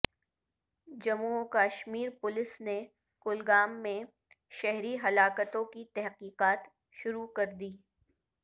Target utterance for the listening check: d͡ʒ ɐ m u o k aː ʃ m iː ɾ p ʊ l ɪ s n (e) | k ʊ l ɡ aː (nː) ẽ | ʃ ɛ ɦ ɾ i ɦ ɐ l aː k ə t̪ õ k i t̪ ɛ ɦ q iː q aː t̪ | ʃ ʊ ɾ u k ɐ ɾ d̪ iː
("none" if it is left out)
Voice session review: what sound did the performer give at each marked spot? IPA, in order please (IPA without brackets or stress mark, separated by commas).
e, mː